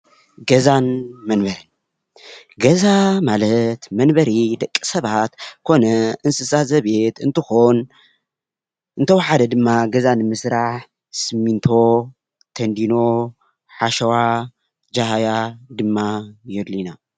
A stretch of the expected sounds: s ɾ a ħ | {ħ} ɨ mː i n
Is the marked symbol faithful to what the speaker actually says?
no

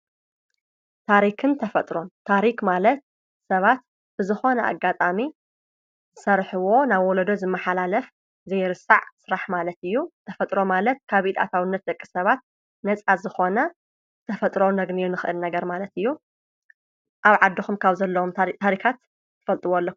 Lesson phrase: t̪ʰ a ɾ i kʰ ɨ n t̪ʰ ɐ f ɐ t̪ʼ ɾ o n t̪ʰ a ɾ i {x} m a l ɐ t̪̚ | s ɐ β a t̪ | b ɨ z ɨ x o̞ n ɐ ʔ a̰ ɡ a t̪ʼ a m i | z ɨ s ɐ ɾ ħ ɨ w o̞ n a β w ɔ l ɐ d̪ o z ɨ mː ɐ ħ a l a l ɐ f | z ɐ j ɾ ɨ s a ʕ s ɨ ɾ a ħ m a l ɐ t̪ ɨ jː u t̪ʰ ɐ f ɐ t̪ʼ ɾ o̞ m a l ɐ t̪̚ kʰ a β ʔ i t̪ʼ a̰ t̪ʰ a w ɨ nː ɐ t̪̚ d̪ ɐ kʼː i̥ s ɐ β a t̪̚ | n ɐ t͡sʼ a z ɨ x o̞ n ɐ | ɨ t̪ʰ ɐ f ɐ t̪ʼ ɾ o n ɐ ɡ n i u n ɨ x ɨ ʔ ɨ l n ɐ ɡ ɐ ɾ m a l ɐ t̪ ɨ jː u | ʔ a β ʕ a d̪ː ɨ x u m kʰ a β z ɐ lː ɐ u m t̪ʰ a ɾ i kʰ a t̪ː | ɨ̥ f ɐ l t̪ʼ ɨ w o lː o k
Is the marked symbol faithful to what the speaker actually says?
no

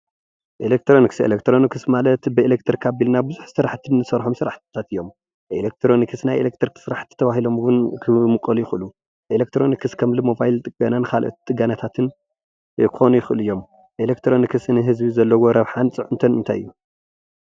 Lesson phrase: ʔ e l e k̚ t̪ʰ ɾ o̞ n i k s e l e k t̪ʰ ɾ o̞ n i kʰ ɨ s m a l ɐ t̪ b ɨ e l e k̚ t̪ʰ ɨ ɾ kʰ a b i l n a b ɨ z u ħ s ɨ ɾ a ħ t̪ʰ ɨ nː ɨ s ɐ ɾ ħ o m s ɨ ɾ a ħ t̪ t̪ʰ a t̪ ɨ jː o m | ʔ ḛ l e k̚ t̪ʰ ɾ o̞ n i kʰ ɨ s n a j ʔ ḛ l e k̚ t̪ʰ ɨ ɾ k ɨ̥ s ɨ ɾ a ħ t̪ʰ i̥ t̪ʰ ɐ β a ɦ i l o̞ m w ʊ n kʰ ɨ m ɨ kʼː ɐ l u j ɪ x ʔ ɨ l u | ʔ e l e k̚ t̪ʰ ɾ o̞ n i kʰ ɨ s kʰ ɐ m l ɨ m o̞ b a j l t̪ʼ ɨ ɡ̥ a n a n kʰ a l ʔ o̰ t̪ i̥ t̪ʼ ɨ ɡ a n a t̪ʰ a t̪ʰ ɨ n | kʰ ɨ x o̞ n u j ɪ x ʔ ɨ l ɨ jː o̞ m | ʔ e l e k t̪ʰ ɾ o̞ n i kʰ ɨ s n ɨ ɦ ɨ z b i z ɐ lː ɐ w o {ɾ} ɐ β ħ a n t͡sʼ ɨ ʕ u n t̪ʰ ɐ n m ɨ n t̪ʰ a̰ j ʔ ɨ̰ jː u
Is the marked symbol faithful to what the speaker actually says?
yes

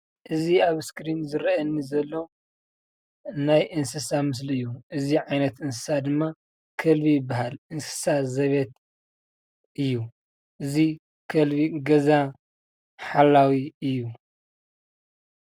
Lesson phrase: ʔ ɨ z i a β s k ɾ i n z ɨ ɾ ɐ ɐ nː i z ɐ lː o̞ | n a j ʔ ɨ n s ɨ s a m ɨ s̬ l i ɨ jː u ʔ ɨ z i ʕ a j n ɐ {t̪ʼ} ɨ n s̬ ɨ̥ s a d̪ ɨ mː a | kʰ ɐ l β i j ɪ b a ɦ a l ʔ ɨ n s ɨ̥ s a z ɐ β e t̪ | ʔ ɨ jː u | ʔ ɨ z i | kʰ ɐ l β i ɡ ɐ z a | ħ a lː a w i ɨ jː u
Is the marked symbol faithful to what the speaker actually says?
no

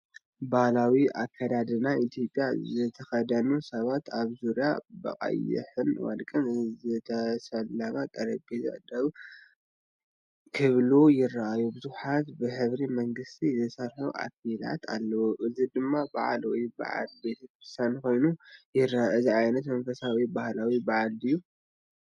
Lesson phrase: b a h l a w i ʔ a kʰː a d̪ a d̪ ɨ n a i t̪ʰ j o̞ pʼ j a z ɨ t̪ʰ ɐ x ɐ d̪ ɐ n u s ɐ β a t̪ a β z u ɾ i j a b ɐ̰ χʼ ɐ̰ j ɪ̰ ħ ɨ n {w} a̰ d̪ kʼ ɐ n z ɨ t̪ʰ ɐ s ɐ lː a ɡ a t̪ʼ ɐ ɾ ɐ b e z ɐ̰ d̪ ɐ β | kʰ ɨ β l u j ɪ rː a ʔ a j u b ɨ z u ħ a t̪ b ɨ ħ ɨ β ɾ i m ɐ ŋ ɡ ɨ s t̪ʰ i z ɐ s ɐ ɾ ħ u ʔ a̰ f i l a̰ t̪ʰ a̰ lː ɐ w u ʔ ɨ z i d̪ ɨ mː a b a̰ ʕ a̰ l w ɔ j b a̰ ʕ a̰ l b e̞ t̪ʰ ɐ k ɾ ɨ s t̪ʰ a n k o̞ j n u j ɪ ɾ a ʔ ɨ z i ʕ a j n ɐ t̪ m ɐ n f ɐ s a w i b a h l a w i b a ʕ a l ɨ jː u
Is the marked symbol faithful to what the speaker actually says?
yes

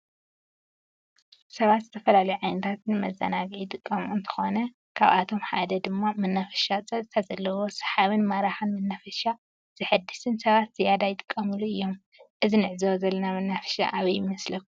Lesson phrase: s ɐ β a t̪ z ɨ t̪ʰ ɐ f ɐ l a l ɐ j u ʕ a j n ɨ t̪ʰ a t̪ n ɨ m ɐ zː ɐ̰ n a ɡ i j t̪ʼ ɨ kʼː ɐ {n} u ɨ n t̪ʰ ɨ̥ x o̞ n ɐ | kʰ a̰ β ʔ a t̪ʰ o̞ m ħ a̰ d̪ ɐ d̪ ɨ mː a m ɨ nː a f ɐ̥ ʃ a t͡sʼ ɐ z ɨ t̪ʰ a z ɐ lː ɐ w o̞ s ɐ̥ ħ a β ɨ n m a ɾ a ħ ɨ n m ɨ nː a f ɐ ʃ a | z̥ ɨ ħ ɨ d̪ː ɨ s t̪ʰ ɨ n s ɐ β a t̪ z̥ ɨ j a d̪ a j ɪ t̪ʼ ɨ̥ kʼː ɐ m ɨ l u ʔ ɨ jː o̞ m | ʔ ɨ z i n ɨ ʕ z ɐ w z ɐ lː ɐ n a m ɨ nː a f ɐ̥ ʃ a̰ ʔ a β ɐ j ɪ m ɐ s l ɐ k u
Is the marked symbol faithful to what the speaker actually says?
no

